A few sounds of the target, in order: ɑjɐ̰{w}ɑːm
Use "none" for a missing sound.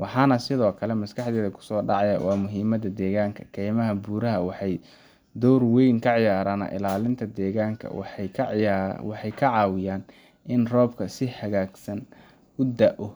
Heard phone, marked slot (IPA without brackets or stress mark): w